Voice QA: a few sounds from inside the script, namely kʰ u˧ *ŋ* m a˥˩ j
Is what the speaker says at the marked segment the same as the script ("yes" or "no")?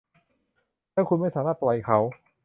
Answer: no